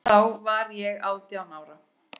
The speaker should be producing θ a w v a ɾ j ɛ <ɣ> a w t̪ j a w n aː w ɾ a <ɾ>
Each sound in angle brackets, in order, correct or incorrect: correct, incorrect

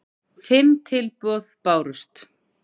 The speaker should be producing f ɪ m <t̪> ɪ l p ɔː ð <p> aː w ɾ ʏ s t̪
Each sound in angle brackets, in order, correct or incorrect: incorrect, correct

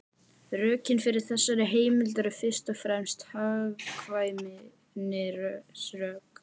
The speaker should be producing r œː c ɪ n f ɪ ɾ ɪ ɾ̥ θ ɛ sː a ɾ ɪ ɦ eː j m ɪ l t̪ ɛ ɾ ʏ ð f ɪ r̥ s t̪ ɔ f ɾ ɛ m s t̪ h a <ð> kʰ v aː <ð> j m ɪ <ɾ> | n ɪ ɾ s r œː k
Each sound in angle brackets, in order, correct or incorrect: incorrect, incorrect, incorrect

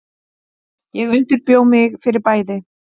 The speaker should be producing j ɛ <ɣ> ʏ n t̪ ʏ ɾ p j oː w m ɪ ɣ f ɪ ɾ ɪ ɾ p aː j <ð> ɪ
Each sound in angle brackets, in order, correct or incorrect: correct, correct

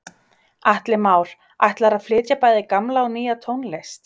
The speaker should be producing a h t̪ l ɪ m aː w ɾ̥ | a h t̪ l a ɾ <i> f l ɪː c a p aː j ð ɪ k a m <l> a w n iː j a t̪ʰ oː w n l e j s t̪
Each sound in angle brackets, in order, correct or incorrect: incorrect, correct

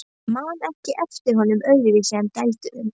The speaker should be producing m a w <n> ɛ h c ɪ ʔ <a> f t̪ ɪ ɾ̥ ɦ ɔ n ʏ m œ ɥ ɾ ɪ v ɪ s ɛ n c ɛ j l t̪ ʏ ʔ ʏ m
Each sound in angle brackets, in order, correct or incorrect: correct, incorrect

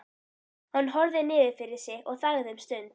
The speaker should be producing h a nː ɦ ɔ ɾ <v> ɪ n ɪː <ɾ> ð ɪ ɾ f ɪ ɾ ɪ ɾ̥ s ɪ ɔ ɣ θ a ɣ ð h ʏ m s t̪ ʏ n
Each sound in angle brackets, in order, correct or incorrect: incorrect, incorrect

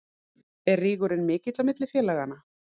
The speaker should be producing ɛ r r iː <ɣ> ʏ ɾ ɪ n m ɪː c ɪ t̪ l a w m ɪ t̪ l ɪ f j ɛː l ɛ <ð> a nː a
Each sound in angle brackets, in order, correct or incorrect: correct, incorrect

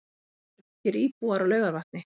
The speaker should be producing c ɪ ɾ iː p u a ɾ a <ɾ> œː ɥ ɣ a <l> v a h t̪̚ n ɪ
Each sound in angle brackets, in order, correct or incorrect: incorrect, incorrect

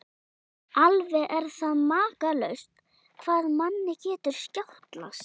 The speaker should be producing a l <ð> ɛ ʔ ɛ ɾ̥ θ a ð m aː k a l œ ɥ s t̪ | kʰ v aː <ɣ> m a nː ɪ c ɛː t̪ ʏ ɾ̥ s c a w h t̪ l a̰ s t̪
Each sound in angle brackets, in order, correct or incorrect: incorrect, incorrect

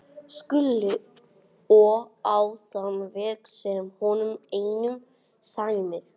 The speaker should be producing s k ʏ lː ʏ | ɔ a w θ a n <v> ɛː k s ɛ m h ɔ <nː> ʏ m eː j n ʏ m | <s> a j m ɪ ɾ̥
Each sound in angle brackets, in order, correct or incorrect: correct, incorrect, correct

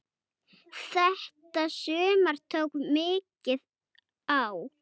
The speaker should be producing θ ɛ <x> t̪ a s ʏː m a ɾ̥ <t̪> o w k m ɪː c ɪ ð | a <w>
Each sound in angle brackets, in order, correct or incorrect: incorrect, incorrect, correct

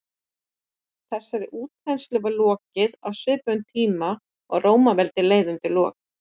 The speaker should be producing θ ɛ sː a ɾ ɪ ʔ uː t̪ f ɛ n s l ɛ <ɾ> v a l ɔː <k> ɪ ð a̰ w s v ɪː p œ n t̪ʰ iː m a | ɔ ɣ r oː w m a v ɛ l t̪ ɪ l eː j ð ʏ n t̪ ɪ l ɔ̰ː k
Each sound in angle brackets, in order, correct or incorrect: incorrect, incorrect

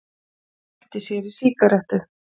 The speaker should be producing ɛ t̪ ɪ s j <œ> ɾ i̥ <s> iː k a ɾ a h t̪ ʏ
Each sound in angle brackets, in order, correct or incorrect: incorrect, correct

